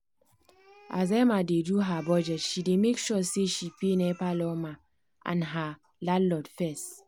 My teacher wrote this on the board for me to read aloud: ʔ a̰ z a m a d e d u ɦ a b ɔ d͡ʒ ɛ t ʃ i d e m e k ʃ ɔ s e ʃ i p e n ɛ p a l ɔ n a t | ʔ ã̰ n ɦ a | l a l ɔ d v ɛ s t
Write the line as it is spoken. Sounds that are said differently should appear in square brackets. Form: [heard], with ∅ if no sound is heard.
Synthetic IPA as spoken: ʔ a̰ z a m a d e d u ɦ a b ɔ d͡ʒ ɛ t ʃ i d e m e k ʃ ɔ s e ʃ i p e n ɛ p a l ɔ [m] a [∅] | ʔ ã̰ n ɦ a | l a l ɔ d [f] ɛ s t